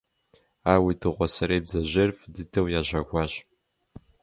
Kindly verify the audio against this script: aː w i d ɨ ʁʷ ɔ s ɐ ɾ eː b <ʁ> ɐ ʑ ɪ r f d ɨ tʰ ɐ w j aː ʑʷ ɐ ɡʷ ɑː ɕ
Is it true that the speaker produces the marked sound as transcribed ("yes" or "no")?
no